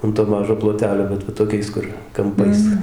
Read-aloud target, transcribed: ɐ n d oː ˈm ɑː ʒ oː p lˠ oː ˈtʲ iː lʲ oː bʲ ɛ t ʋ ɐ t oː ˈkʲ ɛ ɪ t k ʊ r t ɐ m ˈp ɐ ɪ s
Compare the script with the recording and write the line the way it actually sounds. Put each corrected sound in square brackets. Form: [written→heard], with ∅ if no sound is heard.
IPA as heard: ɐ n [d→t] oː ˈm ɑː ʒ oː p lˠ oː ˈtʲ [iː→æː] lʲ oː bʲ ɛ t ʋ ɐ t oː ˈkʲ ɛ ɪ [t→s] k ʊ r [t→k] ɐ m ˈp ɐ ɪ s